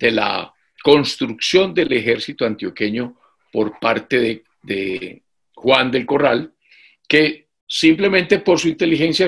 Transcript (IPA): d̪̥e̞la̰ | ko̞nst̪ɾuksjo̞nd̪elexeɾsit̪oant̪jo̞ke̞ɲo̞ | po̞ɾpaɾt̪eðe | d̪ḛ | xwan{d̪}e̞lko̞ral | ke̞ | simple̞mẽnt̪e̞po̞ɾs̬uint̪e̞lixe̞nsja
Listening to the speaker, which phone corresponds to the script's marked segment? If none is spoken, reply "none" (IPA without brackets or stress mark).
d̪